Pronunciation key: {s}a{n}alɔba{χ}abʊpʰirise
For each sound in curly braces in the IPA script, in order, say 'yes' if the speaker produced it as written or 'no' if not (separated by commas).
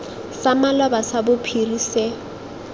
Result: yes, no, no